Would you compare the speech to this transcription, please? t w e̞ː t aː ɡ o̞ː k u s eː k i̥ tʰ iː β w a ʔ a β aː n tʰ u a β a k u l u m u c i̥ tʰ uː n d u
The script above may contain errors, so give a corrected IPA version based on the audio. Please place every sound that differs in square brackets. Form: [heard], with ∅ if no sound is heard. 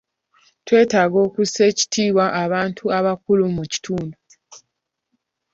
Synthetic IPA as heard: t w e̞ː t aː ɡ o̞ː k u s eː [c] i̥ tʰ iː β w a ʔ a β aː n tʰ u a β a k u l u m u c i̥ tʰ uː n d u